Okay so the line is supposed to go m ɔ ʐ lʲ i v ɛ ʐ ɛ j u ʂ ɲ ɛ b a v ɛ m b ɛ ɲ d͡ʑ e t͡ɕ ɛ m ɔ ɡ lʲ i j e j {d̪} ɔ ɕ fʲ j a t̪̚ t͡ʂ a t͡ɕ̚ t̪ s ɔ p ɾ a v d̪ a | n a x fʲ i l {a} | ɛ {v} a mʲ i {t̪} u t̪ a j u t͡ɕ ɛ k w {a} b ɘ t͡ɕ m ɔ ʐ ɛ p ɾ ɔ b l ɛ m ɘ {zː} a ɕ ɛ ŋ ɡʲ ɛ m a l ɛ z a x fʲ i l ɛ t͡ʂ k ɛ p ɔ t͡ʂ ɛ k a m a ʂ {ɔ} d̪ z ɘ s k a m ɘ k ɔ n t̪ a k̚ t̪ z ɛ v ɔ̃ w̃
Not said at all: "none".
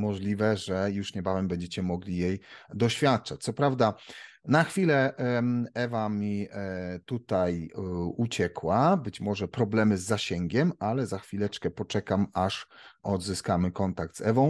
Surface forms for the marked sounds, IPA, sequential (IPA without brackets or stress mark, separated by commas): d̪, ɛ, v, t̪, a, zː, ɔ